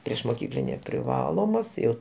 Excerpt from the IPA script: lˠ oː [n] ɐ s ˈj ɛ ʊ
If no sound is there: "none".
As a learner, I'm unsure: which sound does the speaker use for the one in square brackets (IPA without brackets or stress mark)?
m